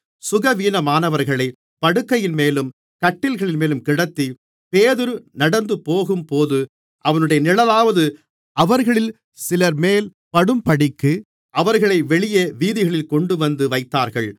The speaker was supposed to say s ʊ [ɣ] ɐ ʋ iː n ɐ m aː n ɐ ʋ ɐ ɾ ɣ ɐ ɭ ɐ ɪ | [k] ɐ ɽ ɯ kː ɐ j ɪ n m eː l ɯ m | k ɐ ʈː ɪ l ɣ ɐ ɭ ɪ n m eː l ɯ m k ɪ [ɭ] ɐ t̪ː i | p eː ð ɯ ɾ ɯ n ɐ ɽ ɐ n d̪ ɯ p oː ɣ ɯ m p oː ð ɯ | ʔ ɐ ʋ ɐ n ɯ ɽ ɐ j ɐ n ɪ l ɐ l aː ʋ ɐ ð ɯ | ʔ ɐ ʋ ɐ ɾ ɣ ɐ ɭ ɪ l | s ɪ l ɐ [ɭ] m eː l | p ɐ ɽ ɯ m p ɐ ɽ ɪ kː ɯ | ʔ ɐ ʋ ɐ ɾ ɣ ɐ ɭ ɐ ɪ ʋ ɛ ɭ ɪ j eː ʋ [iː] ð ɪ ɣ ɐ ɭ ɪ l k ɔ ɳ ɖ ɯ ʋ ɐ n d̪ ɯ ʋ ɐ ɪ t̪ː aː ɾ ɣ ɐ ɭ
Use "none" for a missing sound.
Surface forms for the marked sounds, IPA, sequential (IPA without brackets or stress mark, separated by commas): ɣ, p, ɽ, ɾ, iː